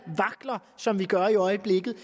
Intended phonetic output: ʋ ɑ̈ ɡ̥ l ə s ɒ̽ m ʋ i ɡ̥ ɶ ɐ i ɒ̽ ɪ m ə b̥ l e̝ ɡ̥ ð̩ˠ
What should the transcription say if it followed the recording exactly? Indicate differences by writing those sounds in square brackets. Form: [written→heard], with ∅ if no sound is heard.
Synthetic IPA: ʋ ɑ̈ ɡ̥ l [ə→ɐ] s ɒ̽ m ʋ i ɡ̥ ɶ ɐ i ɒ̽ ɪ [m→∅] ə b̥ l e̝ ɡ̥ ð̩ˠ